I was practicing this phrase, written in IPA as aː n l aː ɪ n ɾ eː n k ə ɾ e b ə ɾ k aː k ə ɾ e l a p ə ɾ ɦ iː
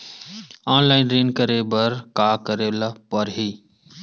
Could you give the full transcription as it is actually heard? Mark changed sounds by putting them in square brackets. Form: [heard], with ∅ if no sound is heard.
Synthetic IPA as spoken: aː n l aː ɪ n ɾ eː n k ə ɾ e b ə ɾ k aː k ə ɾ e l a p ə ɾ ɦ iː